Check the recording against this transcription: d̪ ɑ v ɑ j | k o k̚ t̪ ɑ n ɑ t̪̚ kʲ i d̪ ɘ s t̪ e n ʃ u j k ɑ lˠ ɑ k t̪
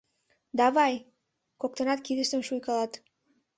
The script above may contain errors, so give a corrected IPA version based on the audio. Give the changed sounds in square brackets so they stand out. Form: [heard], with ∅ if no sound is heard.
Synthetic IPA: d̪ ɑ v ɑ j | k o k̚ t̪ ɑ n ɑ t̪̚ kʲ i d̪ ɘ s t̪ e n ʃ u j k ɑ lˠ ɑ [∅] t̪